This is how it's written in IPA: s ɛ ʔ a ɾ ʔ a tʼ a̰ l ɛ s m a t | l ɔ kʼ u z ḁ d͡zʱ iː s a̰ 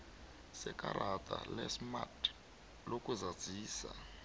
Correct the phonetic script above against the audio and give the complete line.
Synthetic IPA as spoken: s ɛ k a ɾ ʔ a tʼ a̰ l ɛ s m a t | l o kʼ u z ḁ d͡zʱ iː s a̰